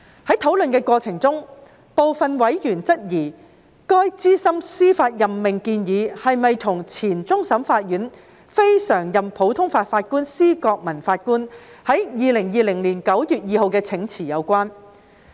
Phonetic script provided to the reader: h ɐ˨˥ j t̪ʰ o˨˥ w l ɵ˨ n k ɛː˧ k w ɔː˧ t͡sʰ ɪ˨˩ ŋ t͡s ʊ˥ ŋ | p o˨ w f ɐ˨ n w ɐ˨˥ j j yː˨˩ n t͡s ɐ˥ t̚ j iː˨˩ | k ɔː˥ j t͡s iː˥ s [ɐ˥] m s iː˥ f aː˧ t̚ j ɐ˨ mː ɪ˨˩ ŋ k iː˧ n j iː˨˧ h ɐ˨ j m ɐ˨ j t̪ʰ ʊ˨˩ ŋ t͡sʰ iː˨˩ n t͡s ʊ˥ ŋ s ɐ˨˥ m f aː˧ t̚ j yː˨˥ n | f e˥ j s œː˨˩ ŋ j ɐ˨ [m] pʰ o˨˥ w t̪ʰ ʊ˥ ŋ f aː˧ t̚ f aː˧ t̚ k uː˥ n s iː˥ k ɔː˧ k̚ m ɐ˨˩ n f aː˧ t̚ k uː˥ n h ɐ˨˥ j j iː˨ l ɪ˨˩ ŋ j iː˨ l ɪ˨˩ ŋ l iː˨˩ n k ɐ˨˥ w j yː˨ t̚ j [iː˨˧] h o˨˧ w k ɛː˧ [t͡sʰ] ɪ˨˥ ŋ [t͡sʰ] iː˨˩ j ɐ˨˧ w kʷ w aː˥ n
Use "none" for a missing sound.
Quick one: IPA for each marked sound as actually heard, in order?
ɐ˥, m, iː˨˧, t͡sʰ, t͡sʰ

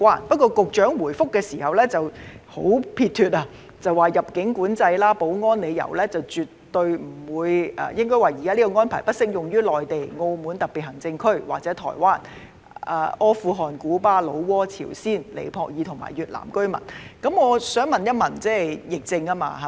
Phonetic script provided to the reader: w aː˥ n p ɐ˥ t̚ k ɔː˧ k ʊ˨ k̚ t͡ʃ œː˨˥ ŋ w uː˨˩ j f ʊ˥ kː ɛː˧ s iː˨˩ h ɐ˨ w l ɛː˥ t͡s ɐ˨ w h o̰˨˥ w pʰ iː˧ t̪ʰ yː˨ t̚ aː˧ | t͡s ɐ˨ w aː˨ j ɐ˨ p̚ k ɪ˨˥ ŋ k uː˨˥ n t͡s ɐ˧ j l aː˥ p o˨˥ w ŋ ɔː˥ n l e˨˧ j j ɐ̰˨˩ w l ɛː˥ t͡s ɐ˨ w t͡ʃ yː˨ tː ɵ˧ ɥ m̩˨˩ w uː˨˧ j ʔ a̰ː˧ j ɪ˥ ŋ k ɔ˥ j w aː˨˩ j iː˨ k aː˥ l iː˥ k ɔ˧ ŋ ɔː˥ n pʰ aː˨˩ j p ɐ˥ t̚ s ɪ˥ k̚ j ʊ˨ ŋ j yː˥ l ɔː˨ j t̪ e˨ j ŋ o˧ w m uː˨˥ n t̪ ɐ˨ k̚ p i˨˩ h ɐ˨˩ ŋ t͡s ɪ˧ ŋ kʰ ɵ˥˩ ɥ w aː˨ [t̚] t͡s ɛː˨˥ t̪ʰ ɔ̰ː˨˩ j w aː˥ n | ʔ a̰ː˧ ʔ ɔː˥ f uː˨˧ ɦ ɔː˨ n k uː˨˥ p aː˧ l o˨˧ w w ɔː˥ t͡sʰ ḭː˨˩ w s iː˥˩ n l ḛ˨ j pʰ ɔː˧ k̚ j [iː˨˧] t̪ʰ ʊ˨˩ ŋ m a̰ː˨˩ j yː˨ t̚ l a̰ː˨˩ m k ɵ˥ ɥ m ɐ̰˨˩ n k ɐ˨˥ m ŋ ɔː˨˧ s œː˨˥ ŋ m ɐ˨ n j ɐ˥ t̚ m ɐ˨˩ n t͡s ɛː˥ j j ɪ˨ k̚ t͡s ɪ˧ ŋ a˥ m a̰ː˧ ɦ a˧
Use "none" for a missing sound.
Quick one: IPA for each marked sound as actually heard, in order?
k̚, iː˨˧

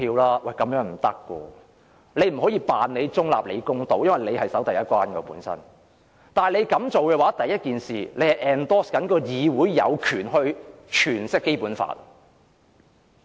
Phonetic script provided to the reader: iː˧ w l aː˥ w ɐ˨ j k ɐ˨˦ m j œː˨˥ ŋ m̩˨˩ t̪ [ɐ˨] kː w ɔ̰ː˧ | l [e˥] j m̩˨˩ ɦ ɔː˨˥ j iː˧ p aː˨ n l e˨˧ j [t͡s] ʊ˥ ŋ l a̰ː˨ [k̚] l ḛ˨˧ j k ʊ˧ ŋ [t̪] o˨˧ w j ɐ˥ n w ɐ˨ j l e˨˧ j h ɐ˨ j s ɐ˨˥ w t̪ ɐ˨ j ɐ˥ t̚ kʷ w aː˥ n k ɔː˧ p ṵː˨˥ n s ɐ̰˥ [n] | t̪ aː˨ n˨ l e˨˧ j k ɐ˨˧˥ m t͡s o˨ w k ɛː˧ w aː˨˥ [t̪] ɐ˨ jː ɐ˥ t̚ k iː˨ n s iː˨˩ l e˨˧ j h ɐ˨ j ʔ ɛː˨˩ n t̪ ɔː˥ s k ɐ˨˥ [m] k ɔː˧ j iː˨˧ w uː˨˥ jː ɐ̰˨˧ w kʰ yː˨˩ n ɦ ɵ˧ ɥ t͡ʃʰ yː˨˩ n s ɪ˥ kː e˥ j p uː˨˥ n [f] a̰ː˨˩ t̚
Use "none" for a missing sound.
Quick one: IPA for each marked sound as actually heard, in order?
ɐ˥, e˨˧, t͡s, p̚, t̪, n, t̪, n, f

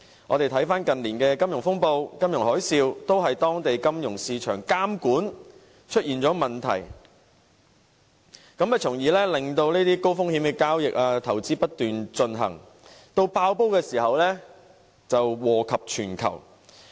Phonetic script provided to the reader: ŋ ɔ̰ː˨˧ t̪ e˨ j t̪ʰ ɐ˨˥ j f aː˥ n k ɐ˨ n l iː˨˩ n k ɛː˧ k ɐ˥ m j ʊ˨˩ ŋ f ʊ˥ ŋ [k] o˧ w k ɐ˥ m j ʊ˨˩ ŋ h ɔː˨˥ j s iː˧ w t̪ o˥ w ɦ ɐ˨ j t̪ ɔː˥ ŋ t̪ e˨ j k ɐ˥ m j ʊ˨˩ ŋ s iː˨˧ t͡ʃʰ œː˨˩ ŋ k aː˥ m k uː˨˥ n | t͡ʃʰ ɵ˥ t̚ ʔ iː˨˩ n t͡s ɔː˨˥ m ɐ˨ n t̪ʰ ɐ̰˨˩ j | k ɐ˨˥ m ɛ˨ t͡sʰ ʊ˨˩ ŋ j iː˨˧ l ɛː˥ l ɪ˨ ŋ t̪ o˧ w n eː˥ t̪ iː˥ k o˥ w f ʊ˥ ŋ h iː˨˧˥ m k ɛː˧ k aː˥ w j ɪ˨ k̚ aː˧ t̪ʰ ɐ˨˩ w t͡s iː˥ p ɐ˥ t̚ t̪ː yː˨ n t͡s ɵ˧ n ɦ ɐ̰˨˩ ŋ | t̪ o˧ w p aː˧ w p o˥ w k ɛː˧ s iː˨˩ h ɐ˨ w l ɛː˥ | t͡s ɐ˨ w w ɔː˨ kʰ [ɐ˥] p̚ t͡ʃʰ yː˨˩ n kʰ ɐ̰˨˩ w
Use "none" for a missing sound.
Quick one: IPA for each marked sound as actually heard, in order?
p, ɐ˨

